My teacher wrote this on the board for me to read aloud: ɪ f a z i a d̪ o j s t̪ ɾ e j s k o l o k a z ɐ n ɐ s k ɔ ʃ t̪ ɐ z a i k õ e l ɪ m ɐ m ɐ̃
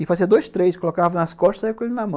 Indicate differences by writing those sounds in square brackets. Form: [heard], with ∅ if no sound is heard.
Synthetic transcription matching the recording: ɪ f a z i [ɐ] d̪ o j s t̪ ɾ e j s k o l o k a [v] ɐ n ɐ s k ɔ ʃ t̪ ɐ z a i k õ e l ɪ [n] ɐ m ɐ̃